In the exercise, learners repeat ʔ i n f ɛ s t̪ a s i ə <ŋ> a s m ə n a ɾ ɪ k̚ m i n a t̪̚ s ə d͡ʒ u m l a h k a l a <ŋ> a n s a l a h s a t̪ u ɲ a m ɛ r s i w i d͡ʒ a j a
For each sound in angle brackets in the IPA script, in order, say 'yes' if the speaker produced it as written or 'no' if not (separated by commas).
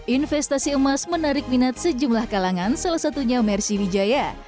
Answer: no, yes